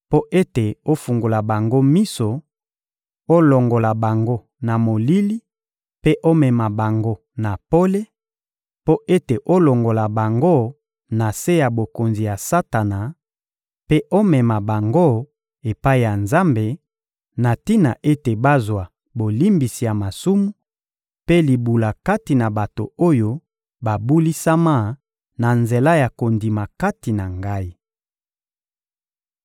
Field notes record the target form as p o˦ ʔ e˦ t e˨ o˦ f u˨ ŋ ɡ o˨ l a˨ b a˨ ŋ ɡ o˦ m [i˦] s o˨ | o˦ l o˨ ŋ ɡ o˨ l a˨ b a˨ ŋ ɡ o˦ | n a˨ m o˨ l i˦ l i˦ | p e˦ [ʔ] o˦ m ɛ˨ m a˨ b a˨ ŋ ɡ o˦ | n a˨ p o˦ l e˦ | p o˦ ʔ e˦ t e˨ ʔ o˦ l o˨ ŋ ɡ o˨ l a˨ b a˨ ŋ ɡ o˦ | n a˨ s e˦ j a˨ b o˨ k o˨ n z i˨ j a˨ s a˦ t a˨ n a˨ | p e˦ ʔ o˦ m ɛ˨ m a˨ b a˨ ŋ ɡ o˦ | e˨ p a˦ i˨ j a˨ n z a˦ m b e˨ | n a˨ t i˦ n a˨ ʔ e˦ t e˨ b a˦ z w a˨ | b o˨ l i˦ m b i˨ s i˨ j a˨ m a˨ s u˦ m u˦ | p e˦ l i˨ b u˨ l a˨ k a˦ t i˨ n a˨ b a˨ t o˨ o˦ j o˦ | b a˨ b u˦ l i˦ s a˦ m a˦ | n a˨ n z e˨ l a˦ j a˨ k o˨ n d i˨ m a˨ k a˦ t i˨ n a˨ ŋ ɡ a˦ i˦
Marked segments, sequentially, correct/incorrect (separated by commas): correct, correct